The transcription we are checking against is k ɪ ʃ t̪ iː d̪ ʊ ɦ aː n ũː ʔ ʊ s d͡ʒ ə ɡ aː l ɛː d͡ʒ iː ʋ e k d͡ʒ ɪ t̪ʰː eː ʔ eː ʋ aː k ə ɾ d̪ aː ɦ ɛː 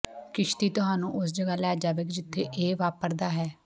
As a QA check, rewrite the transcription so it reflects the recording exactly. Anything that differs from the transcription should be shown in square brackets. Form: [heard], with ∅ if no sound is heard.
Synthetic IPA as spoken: k ɪ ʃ t̪ iː [t̪] ʊ ɦ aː n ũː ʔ ʊ s d͡ʒ ə ɡ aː l ɛː d͡ʒ [aː] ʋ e k d͡ʒ ɪ t̪ʰː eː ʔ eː ʋ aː [p] ə ɾ d̪ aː ɦ ɛː